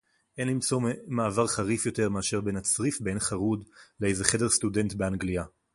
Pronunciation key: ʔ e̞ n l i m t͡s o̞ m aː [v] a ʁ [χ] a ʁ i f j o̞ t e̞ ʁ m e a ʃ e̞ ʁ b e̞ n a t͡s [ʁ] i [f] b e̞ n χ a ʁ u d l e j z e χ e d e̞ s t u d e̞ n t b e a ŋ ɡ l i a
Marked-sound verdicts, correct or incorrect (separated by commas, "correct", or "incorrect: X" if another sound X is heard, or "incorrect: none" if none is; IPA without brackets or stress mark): correct, correct, correct, correct